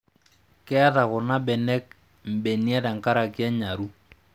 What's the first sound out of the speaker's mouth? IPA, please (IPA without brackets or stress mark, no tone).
k